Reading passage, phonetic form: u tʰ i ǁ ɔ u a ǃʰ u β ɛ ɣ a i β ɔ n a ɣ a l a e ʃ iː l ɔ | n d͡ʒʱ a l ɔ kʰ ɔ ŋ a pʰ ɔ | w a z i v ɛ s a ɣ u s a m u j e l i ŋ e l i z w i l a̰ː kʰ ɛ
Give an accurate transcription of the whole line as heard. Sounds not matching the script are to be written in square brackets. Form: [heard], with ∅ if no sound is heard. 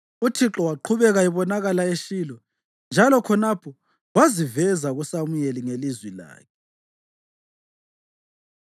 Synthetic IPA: u tʰ i ǁ ɔ [w] a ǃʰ u β ɛ ɣ a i β ɔ n a ɣ a l a e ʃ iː l ɔ | n d͡ʒʱ a l ɔ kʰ ɔ [n] a pʰ ɔ | w a z i v ɛ [z] a ɣ u s a m u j e l i ŋ e l i z w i l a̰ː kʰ ɛ